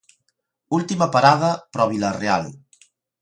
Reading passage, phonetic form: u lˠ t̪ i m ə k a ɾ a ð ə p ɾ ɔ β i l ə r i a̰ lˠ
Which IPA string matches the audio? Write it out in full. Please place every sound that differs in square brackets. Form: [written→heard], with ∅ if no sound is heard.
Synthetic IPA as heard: u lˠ t̪ i m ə [k→p] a ɾ a ð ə p ɾ ɔ β i l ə r [i→e] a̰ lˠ